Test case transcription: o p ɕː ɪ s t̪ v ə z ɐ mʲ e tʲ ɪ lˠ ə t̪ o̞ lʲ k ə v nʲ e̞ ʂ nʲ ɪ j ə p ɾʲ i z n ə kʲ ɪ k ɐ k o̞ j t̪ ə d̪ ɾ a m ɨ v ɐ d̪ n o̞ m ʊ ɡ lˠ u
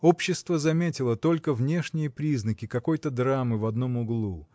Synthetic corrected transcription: o p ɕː ɪ s t̪ v ə z ɐ mʲ e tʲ ɪ lˠ ə t̪ o̞ lʲ k ə v nʲ e̞ ʂ nʲ ɪ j ə p ɾʲ i z n ə kʲ ɪ k ɐ k o̞ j t̪ ə d̪ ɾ a m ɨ v ɐ d̪ n o̞ m ʊ ɡ lˠ u